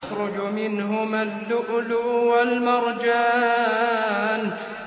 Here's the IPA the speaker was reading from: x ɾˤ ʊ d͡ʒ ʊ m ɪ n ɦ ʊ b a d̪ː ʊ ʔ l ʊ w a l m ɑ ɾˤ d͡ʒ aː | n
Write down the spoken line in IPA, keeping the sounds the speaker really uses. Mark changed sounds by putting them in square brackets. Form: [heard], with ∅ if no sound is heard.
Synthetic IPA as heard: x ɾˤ ʊ d͡ʒ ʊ m ɪ n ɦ ʊ [m] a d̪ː ʊ ʔ l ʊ w a l m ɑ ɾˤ d͡ʒ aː | n